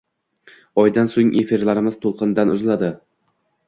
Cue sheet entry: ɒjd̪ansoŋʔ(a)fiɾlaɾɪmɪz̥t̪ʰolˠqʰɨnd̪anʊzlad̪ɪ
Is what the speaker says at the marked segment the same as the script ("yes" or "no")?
no